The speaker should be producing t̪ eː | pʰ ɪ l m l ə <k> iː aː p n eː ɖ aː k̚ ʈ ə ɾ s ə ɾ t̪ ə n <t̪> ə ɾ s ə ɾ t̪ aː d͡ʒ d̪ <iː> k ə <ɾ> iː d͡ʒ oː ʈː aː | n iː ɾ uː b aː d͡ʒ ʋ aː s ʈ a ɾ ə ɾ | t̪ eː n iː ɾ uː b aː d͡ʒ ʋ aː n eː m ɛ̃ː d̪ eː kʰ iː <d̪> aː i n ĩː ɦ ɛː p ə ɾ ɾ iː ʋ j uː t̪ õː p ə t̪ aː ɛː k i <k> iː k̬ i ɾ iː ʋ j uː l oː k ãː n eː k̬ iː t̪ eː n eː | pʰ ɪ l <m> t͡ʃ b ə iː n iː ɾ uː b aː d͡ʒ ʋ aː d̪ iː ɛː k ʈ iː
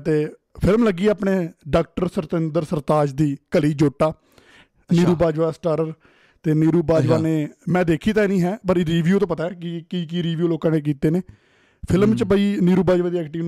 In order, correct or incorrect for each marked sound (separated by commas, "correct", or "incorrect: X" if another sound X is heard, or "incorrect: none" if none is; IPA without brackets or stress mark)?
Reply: incorrect: ɡ, incorrect: d̪, correct, incorrect: l, incorrect: t̪, correct, correct